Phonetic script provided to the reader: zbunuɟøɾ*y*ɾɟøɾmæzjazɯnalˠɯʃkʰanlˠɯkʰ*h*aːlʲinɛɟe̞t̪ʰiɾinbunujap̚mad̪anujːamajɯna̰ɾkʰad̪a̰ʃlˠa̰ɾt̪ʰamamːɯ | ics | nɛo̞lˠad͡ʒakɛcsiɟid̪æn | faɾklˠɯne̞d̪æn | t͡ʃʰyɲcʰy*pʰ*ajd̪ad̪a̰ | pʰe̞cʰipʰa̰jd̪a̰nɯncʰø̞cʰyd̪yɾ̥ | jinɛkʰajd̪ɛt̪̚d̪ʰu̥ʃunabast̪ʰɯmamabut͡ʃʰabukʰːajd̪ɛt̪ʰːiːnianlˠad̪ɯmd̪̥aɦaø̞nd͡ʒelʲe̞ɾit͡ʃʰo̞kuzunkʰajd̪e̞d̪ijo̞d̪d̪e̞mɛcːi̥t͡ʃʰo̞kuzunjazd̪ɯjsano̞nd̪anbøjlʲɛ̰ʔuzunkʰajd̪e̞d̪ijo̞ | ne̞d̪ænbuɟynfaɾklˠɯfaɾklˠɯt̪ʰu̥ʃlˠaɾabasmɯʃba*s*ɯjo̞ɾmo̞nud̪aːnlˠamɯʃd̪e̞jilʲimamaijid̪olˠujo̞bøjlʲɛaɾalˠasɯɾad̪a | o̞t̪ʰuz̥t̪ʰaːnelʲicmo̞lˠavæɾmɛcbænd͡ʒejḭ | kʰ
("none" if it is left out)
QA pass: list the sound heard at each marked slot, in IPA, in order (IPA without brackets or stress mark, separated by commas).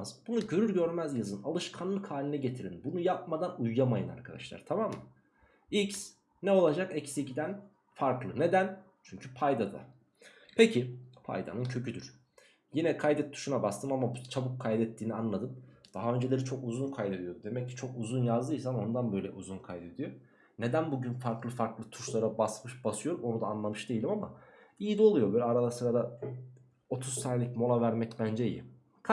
y, h, pʰ, s